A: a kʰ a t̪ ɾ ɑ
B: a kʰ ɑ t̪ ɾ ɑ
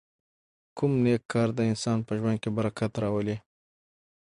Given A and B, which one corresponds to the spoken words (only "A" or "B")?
A